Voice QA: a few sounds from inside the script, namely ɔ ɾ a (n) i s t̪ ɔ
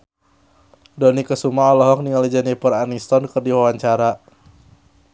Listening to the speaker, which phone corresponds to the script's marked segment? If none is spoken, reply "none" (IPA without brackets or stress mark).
n